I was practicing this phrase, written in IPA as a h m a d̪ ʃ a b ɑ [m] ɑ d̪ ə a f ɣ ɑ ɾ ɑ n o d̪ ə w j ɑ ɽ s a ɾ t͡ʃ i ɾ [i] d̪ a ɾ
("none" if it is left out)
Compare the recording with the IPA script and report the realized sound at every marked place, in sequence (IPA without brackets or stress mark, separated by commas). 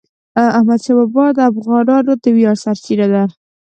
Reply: b, a